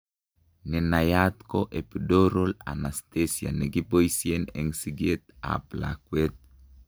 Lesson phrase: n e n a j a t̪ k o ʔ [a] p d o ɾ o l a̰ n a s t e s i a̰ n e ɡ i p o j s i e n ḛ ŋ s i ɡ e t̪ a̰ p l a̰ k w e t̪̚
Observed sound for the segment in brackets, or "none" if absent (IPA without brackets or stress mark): e